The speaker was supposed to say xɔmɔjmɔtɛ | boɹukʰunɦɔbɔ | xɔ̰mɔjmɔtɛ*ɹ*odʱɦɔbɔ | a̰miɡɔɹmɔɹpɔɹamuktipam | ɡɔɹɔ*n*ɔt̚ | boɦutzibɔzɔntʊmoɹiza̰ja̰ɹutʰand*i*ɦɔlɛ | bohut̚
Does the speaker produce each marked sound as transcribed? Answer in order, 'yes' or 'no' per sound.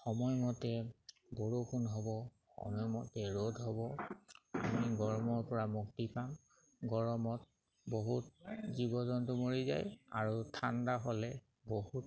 yes, no, no

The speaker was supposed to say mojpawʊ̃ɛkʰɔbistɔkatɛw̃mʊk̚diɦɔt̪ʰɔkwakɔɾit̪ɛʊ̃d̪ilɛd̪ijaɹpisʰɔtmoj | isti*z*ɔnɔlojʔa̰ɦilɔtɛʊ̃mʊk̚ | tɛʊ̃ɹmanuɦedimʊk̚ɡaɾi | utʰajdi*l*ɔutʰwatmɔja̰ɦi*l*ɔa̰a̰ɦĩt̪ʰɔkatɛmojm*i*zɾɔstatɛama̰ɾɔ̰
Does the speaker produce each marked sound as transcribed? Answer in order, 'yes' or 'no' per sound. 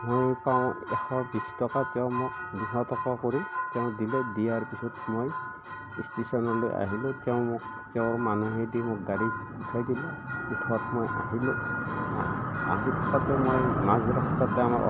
no, yes, yes, no

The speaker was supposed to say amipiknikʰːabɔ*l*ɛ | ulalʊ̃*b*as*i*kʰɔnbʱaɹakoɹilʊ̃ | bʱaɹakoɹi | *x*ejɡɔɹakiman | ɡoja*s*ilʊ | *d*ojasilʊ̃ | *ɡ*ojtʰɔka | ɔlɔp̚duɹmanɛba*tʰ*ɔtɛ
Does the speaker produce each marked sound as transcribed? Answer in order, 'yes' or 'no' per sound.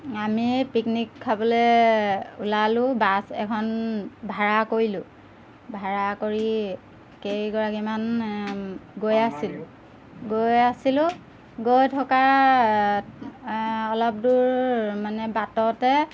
yes, yes, no, no, yes, no, yes, no

